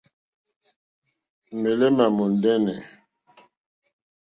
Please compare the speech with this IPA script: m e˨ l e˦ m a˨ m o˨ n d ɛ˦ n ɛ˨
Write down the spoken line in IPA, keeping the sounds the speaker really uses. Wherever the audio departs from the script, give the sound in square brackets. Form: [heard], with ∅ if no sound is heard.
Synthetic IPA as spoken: m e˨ l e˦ m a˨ m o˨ n d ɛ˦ n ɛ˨

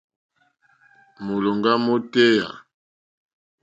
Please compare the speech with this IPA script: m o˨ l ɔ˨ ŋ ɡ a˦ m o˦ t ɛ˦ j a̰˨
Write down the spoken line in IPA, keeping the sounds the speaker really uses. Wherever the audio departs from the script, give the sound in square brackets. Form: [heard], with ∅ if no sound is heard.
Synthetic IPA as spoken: m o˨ l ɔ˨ ŋ ɡ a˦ m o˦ t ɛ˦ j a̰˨

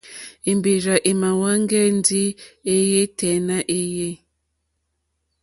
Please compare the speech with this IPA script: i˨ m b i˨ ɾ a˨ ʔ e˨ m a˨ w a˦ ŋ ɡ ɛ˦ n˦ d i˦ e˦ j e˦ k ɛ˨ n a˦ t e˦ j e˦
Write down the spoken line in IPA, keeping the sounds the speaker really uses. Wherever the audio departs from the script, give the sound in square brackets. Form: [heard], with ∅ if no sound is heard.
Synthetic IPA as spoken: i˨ m b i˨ ɾ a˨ ʔ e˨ m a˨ w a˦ ŋ ɡ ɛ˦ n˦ d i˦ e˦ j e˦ [t] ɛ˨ n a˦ [ʔ] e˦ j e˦

